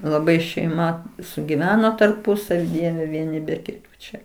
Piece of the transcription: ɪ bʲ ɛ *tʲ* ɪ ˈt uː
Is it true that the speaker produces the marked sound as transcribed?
no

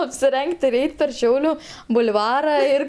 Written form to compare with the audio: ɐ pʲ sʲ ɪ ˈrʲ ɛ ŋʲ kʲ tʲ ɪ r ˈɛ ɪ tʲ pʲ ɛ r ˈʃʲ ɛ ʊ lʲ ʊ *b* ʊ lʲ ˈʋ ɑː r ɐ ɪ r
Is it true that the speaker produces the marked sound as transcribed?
yes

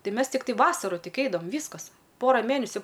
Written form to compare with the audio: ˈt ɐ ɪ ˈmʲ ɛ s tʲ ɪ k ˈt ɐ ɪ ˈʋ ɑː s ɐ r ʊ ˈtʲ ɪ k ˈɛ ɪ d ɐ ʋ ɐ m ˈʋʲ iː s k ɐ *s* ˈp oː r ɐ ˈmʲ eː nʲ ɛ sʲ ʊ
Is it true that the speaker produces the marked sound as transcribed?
yes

